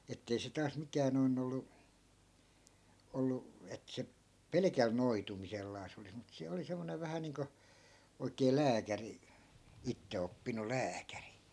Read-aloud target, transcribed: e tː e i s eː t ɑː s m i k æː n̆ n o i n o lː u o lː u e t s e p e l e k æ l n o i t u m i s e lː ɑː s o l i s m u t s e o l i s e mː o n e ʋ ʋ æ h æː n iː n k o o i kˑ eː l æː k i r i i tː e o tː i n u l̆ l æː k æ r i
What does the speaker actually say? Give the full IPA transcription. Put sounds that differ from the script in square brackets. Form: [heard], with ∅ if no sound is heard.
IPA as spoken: e tː e i s [e] t ɑː s m i k æː n̆ n o i n o lː u o lː u e t s e p e l e k æ l n o i t u m i s e lː ɑː s o l i s m u t s e o l i s e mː o n e ʋ ʋ æ h [æ] n iː [ŋ] k o o i kˑ eː l æː k [æ] r i i tː e o [pː] i n u l̆ l æː k æ r i